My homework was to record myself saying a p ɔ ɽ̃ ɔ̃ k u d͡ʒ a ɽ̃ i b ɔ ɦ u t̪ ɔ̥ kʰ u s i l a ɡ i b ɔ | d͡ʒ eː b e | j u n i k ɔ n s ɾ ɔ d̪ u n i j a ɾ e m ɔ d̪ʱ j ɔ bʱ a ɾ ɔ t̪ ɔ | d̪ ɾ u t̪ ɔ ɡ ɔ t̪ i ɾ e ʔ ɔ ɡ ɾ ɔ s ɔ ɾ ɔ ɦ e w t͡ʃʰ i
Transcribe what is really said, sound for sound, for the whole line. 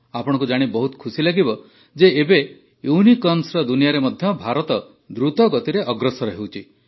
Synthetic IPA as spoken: a p ɔ ɽ̃ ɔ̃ k u d͡ʒ a ɽ̃ i b ɔ ɦ u t̪ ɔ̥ kʰ u s i l a ɡ i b ɔ | d͡ʒ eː b e | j u n i k ɔ n s ɾ ɔ d̪ u n i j a ɾ e m ɔ d̪ʱ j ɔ bʱ a ɾ ɔ t̪ ɔ | d̪ ɾ u t̪ ɔ ɡ ɔ t̪ i ɾ e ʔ ɔ ɡ ɾ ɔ s ɔ ɾ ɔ ɦ e w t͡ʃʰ i